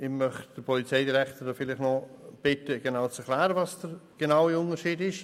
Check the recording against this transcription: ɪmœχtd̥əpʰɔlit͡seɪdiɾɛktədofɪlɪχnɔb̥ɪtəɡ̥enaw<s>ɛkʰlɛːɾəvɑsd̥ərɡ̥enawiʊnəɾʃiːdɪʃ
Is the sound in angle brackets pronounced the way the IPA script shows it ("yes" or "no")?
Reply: no